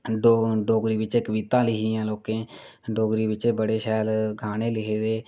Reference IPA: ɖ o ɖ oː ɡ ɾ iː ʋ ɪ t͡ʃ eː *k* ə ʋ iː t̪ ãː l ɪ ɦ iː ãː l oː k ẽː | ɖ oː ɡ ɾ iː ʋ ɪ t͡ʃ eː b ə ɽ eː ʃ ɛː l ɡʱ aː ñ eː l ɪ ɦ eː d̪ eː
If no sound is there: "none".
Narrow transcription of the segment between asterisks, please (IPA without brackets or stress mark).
k